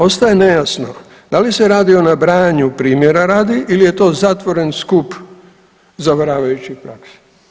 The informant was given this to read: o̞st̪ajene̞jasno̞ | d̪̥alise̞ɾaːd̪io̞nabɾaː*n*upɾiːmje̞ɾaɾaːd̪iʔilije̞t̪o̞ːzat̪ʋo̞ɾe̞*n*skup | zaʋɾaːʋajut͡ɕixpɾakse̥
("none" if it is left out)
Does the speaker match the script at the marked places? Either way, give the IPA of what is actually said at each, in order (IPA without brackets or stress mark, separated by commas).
ɲ, n